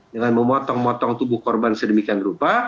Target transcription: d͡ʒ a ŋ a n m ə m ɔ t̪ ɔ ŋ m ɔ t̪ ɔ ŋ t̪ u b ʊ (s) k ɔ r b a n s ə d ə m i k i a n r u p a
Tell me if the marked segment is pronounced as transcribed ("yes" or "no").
no